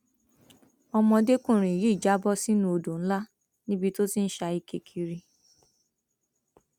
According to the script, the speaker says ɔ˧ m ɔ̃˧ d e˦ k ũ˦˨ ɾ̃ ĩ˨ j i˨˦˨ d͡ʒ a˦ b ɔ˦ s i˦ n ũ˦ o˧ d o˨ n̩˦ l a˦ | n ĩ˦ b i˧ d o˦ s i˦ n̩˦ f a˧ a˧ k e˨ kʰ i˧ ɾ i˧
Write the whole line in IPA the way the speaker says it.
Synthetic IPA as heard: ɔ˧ m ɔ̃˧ d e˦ k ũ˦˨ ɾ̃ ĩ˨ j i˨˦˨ d͡ʒ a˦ b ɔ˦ s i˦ n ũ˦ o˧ d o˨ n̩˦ l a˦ | n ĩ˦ b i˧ t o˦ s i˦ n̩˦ ʃ a˧ i˧ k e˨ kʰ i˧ ɾ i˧